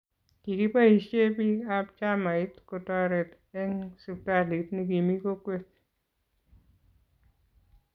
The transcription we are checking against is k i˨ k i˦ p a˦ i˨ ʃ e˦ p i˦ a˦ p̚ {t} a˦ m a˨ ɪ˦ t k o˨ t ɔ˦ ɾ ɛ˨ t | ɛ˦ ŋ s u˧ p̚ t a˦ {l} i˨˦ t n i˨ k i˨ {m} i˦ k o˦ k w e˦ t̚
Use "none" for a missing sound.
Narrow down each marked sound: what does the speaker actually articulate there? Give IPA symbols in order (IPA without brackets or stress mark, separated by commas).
t͡ʃ, l, m